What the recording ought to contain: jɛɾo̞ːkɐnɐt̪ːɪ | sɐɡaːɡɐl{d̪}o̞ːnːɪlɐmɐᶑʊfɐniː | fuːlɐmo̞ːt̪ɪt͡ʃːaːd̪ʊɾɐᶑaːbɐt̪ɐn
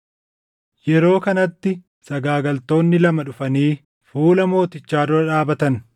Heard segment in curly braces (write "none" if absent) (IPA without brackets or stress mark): t̪